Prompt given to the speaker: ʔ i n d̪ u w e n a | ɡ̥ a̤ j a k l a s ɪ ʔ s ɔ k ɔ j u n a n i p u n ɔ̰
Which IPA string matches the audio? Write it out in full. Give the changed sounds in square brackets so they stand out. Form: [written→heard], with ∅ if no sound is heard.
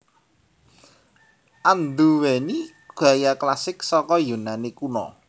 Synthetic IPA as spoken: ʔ [i→a] n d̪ u w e n [a→i] | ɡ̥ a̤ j a k l a s ɪ [ʔ→k] s ɔ k ɔ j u n a n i [p→k] u n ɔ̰